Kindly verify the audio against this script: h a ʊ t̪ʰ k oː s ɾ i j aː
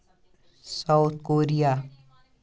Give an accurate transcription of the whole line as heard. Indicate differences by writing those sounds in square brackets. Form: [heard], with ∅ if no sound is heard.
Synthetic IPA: [s] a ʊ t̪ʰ k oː [∅] ɾ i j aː